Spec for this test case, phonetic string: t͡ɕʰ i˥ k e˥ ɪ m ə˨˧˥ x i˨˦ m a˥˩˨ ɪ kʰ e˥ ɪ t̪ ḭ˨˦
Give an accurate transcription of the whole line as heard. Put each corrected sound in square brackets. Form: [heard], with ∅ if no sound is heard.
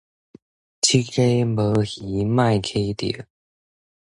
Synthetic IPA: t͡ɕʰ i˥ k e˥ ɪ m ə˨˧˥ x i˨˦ m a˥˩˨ ɪ kʰ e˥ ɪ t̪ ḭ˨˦

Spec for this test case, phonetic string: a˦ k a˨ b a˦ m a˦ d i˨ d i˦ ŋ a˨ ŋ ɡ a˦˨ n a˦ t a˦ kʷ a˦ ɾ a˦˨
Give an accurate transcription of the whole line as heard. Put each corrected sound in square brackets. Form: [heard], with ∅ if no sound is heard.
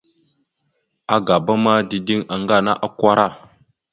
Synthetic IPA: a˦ [ɡ] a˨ b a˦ m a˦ d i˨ d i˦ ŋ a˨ ŋ ɡ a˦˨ n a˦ [ʔ] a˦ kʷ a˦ ɾ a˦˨

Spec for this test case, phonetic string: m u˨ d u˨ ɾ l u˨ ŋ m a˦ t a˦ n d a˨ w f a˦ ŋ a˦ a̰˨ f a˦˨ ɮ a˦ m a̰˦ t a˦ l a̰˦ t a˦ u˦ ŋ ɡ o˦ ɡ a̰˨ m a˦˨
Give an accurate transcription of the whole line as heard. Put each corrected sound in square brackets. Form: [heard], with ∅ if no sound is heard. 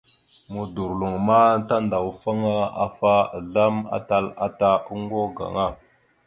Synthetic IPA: m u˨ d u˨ ɾ l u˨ ŋ m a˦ t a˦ n d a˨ w f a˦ ŋ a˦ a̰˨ f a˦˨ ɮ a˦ m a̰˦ t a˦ l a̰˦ t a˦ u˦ ŋ ɡ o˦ ɡ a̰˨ [ŋ] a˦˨

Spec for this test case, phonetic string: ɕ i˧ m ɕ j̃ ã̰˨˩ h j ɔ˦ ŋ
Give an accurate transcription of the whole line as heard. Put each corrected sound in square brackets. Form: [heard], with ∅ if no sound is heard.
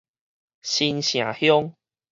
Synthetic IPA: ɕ i˧ [n] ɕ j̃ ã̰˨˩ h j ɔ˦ ŋ

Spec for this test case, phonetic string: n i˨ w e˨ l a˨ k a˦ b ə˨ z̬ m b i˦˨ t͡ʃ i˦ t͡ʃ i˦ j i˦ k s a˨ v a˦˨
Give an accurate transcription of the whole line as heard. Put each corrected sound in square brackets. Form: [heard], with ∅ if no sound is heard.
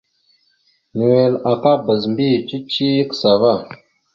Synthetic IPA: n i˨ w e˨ l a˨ k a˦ b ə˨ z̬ m b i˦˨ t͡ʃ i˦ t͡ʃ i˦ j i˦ k s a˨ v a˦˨

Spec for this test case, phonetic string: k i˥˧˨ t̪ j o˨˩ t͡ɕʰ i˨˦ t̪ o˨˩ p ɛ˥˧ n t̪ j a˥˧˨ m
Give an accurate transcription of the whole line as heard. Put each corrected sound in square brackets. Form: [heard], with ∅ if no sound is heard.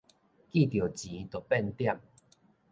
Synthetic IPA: k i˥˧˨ t̪ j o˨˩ [t͡ɕ] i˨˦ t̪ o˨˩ p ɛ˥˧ n t̪ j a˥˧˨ m

